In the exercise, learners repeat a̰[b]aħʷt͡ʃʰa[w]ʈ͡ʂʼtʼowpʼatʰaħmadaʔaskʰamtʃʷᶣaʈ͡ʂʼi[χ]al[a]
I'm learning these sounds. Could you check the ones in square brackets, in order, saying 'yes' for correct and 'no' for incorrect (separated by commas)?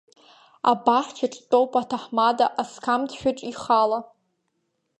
yes, no, yes, yes